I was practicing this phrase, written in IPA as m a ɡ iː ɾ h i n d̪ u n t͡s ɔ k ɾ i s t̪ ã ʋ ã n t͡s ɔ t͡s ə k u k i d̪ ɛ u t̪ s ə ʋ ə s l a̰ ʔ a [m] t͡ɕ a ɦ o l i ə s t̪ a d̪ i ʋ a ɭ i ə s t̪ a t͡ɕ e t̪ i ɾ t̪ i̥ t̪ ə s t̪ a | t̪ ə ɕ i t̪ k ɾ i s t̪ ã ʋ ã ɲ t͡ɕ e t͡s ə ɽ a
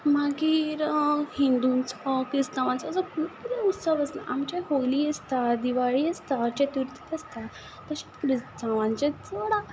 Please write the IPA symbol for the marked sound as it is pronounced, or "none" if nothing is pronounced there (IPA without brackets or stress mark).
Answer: m